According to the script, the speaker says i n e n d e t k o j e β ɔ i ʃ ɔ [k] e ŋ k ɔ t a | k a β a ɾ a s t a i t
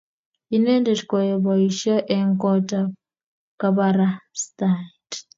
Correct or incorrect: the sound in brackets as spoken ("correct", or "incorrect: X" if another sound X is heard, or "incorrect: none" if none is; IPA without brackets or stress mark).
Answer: incorrect: ʔ